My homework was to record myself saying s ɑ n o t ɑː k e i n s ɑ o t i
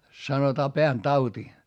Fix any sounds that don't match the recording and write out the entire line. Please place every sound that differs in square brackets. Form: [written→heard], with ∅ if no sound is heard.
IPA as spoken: s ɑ n o t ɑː [k→p] e [i→æ] n [s→t] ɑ [o→u] t i